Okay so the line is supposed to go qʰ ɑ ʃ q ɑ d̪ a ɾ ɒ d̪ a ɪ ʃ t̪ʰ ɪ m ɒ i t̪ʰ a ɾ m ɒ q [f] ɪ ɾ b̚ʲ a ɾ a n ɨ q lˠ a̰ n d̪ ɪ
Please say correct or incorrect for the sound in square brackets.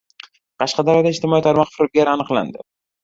correct